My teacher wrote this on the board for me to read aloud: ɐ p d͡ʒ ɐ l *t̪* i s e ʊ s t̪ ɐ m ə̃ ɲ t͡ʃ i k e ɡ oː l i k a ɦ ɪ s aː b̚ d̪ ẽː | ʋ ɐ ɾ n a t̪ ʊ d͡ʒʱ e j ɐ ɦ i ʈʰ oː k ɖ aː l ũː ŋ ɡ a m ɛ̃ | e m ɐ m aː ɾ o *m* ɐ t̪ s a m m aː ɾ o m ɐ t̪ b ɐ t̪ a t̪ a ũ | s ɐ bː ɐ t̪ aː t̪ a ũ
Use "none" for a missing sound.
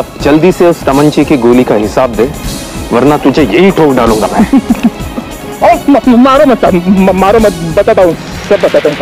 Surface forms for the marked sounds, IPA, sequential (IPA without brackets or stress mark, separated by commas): d̪, m